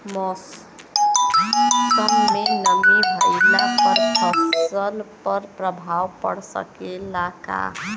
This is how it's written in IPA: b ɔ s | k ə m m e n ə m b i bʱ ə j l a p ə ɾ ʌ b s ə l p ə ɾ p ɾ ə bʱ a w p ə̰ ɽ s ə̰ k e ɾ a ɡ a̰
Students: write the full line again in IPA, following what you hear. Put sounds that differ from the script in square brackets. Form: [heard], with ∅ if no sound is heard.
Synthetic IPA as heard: [m] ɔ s | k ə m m e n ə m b i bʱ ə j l a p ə ɾ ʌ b s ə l p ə ɾ p ɾ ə bʱ a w p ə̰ ɽ s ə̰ k e [l] a [k] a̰